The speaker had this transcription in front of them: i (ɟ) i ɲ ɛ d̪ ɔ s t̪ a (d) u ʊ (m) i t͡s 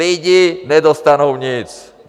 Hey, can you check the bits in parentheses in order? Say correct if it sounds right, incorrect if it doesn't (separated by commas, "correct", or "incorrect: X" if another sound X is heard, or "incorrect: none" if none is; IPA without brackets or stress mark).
correct, incorrect: n, incorrect: ɲ